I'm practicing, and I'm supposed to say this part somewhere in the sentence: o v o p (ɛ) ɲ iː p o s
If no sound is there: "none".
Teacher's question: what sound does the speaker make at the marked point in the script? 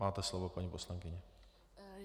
a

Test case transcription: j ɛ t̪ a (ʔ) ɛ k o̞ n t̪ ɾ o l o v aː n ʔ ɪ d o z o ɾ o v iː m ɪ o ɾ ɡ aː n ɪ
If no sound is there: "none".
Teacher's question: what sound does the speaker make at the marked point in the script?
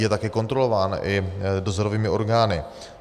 k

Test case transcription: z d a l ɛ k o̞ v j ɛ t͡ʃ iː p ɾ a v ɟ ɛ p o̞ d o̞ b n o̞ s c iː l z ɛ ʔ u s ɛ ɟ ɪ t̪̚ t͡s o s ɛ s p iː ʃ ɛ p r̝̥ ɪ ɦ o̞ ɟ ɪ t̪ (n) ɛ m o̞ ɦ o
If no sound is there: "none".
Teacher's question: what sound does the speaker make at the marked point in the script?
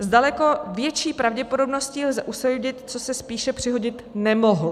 n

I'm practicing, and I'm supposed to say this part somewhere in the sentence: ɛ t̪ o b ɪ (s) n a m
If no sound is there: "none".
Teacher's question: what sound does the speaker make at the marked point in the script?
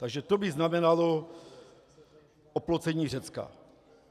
z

